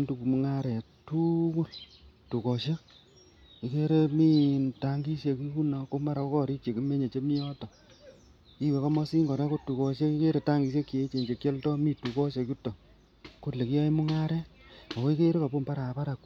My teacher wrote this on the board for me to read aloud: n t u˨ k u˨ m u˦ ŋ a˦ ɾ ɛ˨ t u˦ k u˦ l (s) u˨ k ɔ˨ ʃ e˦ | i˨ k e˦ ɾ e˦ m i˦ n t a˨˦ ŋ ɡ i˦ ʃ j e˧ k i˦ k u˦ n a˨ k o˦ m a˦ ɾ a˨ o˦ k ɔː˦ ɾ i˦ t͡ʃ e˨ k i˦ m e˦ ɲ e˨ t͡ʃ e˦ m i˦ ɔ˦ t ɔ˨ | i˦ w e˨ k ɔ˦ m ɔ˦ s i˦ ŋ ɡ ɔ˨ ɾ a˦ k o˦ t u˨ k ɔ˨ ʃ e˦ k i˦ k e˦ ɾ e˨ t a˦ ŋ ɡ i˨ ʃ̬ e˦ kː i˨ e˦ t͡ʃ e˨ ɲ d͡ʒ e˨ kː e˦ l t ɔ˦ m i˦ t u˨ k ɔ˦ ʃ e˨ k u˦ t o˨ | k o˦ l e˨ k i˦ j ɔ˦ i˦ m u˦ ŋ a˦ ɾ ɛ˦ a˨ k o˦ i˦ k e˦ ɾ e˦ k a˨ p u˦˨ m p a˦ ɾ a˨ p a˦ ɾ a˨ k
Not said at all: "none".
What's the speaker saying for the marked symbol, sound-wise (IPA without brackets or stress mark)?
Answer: t